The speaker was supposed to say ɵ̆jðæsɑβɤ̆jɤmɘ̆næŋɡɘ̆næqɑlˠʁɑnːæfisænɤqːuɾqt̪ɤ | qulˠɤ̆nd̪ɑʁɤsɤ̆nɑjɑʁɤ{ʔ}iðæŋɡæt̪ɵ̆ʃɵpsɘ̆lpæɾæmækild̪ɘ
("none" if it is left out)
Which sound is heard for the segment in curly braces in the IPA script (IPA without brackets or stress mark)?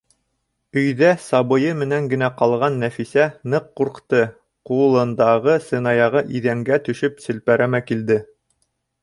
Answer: ʔ